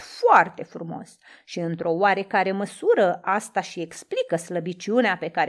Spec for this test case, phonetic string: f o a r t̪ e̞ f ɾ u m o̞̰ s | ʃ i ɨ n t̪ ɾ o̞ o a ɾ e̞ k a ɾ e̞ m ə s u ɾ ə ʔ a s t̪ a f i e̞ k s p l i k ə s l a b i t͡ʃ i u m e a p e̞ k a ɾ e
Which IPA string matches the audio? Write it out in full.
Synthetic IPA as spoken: f o a r t̪ e̞ f ɾ u m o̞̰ s | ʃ i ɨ n t̪ ɾ o̞ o a ɾ e̞ k a ɾ e̞ m ə s u ɾ ə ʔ a s t̪ a ʃ i e̞ k s p l i k ə s l ə b i t͡ʃ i u n e a p e̞ k a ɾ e